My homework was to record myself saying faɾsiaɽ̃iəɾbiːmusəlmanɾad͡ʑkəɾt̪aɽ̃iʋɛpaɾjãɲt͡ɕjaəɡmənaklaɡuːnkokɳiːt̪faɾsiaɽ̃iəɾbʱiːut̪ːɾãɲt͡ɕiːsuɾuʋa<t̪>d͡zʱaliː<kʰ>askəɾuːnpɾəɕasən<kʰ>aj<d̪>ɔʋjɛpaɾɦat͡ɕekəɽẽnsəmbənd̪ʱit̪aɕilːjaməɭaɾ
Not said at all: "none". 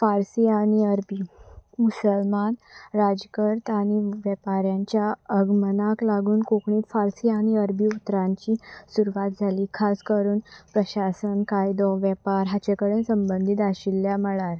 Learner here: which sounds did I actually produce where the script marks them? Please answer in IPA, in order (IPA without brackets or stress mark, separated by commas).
t̪, kʰ, k, d̪